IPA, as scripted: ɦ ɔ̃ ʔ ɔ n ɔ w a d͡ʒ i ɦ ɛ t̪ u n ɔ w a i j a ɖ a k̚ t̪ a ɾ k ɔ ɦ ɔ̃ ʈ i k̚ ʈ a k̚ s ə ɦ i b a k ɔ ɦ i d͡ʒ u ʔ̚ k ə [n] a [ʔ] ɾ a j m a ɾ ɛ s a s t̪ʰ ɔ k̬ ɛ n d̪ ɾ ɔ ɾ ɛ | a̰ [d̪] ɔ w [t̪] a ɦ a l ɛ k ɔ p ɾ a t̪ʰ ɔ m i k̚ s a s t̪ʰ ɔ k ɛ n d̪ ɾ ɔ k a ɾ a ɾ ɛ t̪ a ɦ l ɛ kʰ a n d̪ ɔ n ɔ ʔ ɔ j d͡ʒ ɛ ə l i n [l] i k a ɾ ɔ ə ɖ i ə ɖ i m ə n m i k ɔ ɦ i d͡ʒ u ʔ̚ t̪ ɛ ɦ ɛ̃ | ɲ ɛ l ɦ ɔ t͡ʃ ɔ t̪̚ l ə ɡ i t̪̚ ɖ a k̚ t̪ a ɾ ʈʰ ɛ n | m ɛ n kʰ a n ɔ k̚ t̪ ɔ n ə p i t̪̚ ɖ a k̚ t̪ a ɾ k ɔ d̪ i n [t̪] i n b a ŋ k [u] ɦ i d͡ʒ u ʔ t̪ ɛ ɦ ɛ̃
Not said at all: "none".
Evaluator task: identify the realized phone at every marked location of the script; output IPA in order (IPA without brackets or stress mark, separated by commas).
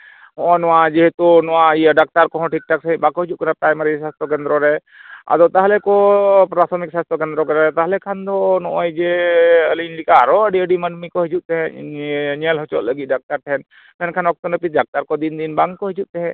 n, p, d̪, t̪, l, d̪, ɔ